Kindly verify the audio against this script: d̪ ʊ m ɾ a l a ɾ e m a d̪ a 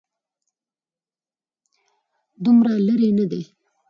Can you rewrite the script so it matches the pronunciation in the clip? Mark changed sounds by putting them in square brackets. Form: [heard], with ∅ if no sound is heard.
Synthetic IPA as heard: d̪ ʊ m ɾ a l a ɾ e [n] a d̪ [e]